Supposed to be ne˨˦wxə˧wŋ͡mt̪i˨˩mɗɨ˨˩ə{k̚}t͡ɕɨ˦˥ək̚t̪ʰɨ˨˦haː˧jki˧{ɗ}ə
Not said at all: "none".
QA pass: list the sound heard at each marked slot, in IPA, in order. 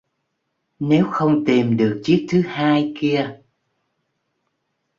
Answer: k̚, none

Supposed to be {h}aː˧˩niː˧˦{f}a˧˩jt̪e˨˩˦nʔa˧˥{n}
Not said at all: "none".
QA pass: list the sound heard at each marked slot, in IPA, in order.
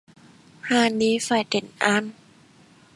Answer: h, f, n

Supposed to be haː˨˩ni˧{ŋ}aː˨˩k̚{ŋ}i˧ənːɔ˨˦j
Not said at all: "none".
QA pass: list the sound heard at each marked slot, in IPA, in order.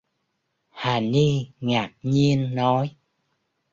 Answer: ŋ, ɲ

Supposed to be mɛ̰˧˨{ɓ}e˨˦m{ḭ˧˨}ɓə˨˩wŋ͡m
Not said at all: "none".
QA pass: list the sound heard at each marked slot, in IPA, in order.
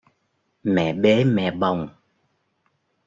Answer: ɓ, ɛ̰˧˨

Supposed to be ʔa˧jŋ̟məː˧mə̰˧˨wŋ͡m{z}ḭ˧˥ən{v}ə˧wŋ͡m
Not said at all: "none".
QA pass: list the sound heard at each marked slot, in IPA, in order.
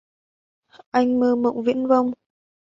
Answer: v, v

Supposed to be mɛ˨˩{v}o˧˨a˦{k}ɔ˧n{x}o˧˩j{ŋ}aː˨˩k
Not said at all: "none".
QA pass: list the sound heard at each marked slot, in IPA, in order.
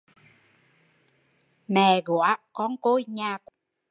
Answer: ɣ, k, k, ɲ

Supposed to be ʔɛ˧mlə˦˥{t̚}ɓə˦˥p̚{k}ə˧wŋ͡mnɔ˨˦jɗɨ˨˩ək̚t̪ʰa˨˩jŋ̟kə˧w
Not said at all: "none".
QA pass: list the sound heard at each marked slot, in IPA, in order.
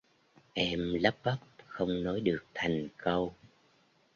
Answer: p̚, x

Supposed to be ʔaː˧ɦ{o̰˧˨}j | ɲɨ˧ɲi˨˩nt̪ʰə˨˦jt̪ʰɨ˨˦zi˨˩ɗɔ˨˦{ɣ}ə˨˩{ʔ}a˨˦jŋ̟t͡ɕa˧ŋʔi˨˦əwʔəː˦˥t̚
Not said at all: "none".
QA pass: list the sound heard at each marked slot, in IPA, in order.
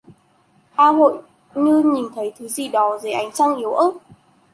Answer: o̰˧˨, z, ʔ

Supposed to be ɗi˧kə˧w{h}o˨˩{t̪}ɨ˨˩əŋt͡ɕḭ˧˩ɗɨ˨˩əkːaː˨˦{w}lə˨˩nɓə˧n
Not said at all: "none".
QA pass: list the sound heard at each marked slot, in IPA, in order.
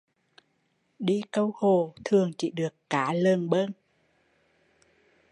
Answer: h, t̪ʰ, none

